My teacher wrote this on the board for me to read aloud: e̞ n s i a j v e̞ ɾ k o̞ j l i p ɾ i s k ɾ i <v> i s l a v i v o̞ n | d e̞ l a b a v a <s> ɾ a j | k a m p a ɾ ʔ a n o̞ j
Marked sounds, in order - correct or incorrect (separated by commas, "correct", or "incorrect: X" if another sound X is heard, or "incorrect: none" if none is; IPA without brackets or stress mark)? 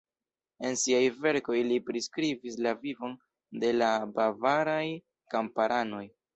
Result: correct, incorrect: none